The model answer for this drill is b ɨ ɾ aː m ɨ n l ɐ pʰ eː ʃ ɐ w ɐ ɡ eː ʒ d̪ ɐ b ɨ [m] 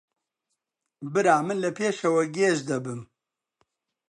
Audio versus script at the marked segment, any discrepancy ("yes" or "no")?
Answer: no